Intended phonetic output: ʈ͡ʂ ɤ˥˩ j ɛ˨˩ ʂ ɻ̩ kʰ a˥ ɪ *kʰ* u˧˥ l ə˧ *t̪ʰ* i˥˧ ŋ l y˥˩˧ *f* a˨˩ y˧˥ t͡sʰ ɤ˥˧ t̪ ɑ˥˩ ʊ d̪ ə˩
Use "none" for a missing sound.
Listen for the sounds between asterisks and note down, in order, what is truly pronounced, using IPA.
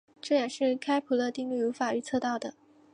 pʰ, t̪, f

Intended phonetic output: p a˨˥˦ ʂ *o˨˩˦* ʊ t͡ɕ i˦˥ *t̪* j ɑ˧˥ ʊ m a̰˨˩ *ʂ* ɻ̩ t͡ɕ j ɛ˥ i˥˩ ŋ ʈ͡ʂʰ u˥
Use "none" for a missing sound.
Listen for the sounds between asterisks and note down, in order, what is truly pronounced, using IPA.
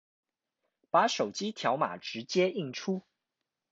o˨˩, t̪ʰ, ʈ͡ʂ

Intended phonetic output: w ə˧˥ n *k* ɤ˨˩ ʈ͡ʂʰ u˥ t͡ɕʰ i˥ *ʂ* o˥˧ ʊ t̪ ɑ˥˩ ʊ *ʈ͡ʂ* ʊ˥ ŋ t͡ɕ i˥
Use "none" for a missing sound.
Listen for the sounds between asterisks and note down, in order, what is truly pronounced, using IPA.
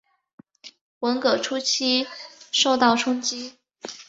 k, ʂ, ʈ͡ʂʰ

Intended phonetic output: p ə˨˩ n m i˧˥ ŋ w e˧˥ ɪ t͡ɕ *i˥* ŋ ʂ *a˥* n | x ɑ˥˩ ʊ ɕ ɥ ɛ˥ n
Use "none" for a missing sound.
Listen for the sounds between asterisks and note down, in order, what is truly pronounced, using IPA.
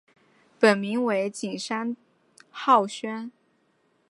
i˨˩, a˥

